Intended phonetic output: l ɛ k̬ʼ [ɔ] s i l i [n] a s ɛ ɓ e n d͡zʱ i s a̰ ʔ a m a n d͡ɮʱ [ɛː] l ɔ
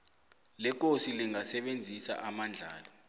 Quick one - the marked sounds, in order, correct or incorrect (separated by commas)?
incorrect, incorrect, incorrect